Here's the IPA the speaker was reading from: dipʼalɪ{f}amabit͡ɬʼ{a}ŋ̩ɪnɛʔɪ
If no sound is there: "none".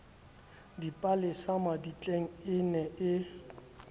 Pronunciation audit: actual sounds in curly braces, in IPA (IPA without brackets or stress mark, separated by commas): s, e